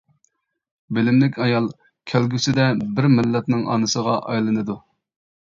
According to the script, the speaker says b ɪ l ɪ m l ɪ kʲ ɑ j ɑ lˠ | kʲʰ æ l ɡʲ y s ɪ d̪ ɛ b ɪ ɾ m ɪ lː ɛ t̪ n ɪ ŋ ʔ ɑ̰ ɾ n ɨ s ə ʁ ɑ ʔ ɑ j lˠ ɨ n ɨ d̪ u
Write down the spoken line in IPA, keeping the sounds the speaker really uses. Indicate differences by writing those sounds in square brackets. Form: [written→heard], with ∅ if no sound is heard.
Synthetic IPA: b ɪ l ɪ m l ɪ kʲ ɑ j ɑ lˠ | kʲʰ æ l ɡʲ y s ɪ d̪ ɛ b ɪ ɾ m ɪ lː ɛ t̪ n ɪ ŋ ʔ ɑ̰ [ɾ→∅] n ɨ s ə ʁ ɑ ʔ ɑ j lˠ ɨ n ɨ d̪ u